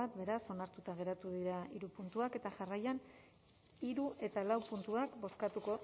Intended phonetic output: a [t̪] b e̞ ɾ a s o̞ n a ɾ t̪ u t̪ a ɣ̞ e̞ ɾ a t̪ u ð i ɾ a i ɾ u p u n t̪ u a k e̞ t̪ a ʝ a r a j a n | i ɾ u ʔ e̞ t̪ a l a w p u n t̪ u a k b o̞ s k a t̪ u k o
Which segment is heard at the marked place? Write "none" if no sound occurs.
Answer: t̪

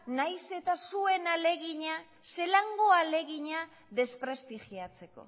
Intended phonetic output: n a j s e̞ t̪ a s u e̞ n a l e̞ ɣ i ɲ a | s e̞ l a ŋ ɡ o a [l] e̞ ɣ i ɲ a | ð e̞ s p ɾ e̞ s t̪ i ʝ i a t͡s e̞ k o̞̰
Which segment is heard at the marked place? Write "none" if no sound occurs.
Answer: l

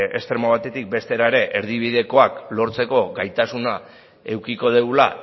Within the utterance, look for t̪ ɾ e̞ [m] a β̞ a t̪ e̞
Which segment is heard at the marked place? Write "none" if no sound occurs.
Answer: m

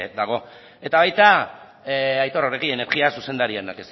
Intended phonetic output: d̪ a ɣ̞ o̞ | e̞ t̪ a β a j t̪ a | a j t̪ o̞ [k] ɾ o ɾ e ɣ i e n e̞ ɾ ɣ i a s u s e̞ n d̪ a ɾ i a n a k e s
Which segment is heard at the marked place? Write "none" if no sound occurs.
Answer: none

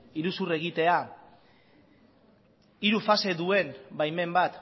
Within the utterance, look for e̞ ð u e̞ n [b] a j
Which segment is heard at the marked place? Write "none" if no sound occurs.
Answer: b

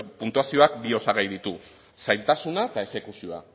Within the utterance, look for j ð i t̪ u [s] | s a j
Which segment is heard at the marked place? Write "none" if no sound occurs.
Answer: none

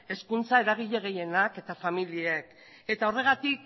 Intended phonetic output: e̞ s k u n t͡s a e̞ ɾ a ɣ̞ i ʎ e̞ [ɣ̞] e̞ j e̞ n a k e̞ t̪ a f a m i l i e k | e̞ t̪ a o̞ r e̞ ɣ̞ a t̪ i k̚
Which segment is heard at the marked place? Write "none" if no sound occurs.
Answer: ɣ̞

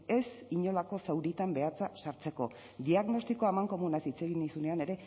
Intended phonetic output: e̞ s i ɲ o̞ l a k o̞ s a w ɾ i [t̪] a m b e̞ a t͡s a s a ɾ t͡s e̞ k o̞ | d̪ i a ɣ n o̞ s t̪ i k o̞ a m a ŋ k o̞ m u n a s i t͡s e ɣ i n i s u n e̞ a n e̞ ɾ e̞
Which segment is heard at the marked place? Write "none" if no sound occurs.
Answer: t̪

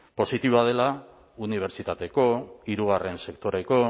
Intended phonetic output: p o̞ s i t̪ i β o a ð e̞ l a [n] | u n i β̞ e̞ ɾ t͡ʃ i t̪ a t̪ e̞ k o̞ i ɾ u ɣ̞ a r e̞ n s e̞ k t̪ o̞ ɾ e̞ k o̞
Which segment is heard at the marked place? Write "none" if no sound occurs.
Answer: none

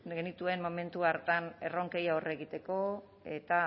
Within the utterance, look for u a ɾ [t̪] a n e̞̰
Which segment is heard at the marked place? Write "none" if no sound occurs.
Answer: t̪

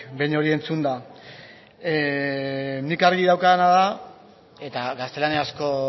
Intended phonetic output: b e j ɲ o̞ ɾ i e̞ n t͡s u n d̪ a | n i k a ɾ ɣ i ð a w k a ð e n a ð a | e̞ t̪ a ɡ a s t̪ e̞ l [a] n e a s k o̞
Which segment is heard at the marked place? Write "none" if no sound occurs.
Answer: a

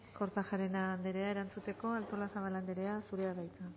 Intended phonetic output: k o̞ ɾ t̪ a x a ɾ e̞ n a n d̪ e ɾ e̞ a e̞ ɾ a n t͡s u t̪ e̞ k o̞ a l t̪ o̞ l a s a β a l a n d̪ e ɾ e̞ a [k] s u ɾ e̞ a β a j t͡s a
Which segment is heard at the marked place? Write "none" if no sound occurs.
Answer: none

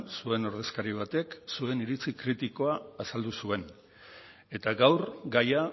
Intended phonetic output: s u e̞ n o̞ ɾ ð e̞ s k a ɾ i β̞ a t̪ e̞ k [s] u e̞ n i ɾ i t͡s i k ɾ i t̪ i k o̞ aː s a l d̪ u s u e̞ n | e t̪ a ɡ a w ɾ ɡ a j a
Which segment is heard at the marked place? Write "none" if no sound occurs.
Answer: s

